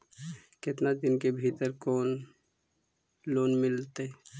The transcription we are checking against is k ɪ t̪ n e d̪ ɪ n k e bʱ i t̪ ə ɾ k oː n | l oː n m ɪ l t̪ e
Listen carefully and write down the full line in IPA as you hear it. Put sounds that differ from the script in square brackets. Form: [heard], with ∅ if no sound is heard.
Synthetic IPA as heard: k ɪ t̪ n [a] d̪ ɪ n k e bʱ i t̪ ə ɾ k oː n | l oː n m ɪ l t̪ e